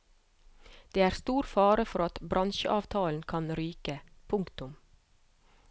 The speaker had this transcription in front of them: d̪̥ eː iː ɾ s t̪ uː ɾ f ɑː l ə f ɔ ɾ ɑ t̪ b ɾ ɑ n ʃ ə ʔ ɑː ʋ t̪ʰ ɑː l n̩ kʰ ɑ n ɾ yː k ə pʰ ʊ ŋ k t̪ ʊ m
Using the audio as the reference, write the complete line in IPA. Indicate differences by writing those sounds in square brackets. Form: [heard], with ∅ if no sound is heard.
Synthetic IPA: d̪̥ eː [æː] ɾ s t̪ uː ɾ f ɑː [ɾ] ə f ɔ ɾ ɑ t̪ b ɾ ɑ n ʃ ə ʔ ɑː ʋ t̪ʰ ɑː l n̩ kʰ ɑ n ɾ yː k ə pʰ ʊ ŋ k t̪ ʊ m